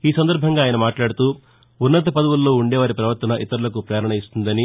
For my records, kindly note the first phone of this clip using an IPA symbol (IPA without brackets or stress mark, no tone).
iː